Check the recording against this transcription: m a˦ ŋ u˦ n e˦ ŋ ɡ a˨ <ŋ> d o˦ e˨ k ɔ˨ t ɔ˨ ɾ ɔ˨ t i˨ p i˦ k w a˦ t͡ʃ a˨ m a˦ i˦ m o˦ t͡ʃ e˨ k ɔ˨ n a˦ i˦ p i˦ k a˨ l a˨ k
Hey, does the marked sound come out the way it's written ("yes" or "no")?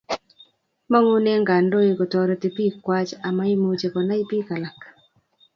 no